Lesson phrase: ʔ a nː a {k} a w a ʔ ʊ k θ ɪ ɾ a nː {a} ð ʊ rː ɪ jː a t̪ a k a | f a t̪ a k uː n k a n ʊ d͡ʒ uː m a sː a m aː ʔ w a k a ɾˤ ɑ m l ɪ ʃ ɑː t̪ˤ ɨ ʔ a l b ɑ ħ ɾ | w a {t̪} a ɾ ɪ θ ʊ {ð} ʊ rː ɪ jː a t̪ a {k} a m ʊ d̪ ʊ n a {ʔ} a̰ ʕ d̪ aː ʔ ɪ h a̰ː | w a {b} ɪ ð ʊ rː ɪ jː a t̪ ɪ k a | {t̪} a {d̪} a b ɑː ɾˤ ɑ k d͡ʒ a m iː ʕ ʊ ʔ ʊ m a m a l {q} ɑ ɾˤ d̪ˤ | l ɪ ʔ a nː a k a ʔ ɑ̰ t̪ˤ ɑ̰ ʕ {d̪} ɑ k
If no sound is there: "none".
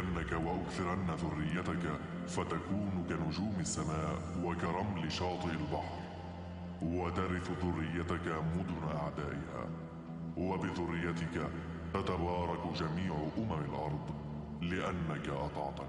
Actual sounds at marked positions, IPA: k, a, t̪, ð, k, ʔ, b, t̪, t̪, ʔ, t̪

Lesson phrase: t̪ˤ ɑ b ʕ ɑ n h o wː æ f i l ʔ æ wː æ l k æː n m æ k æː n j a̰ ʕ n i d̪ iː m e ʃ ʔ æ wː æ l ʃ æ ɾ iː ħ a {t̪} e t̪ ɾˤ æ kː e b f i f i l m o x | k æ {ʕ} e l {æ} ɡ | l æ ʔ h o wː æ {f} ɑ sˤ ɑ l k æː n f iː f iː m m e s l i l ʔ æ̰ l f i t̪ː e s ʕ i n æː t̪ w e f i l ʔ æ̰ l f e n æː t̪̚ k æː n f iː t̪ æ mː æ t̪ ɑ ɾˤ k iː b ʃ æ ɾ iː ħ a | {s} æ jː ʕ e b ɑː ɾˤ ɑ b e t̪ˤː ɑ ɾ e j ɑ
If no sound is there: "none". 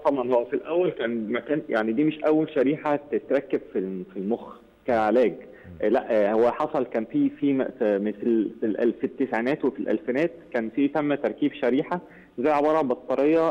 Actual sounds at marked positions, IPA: t̪, ʕ, æː, ħ, z

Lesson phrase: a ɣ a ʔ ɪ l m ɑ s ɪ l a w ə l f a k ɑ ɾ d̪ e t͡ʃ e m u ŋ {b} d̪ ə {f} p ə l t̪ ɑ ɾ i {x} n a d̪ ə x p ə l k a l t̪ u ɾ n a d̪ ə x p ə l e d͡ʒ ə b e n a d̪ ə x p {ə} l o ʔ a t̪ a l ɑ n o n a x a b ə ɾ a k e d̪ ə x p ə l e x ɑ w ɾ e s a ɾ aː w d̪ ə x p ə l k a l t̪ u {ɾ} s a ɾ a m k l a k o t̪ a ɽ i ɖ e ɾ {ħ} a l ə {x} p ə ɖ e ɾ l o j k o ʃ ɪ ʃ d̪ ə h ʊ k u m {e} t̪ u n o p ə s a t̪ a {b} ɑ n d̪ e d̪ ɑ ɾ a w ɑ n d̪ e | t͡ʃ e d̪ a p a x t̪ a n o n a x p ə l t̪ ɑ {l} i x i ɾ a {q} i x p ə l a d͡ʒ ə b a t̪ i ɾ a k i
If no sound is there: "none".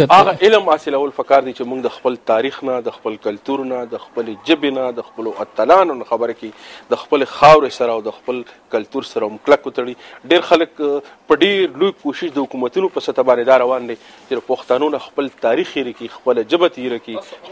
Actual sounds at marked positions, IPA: ɡ, x, x, ə, ɾ, x, k, a, b, ɾ, k

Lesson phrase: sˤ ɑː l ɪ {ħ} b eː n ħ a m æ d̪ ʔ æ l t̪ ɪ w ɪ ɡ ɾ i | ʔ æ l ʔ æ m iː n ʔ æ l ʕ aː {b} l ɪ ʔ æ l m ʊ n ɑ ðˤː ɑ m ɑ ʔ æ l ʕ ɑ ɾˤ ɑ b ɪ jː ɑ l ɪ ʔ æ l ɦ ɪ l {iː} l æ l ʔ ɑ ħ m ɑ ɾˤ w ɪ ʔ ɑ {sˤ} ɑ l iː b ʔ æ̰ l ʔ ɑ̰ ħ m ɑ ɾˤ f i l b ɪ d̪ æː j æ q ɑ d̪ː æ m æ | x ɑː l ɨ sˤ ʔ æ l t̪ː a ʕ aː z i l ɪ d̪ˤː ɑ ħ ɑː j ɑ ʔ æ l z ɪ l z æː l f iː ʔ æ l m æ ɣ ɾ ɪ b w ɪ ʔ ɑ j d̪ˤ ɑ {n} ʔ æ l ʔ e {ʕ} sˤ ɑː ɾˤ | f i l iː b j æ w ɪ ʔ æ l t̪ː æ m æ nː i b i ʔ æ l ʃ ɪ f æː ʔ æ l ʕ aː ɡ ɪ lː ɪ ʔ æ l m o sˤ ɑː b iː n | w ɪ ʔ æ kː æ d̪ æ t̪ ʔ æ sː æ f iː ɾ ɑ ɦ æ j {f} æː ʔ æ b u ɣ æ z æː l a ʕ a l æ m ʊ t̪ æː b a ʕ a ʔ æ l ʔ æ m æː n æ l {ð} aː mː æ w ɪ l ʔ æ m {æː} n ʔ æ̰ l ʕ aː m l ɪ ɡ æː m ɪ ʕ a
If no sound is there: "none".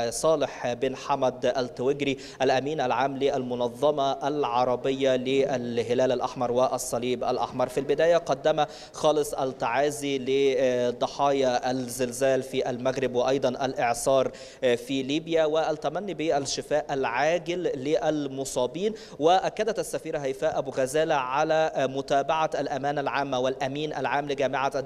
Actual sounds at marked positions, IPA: ħ, m, æː, sˤː, n, ʕ, f, ʕ, iː

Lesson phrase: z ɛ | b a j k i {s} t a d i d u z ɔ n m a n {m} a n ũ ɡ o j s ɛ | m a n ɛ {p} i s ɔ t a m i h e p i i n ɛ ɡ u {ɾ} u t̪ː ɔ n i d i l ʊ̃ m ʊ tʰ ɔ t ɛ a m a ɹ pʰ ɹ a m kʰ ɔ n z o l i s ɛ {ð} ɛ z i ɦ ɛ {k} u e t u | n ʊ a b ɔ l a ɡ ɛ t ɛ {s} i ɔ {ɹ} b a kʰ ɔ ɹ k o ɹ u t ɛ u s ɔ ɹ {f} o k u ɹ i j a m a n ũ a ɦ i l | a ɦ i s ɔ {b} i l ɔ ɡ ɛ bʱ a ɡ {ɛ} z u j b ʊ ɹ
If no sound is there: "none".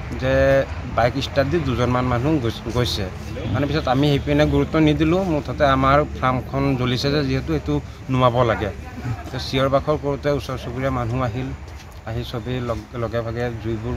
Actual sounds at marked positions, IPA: s, m, p, ɹ, z, t, s, ɹ, s, b, ɛ

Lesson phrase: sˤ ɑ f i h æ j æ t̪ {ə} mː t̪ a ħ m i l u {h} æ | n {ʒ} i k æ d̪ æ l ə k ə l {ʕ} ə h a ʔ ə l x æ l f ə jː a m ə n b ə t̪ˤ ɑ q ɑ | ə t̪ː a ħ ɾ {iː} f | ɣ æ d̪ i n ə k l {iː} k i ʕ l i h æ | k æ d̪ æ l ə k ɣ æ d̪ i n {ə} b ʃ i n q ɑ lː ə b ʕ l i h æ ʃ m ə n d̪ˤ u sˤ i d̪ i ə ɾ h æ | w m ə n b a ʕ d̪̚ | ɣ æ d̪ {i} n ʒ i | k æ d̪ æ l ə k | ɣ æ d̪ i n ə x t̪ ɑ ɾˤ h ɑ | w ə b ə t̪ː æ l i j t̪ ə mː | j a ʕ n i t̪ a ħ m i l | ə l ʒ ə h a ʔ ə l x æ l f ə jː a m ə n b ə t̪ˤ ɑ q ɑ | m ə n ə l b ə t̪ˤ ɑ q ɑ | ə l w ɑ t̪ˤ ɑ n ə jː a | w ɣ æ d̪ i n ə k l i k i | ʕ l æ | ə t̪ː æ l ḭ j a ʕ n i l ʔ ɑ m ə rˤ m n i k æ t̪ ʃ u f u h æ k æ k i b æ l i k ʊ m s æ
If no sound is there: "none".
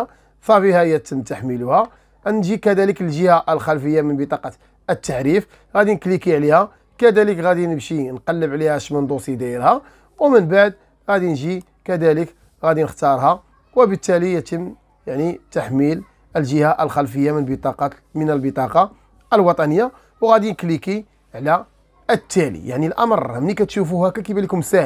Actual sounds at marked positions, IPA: ə, h, ʒ, ʒ, i, i, ə, i

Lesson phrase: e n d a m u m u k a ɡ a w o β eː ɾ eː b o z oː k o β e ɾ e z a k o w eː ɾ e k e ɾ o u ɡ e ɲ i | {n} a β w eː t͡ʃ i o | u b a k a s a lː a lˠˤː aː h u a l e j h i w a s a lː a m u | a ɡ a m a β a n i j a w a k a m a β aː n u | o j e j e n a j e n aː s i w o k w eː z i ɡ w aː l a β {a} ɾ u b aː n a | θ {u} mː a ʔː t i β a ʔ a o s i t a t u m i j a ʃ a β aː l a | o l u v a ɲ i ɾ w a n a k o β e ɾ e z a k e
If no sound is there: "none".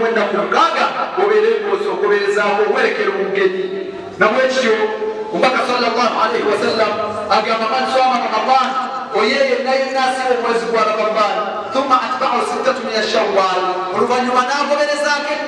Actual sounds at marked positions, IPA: n, a, u

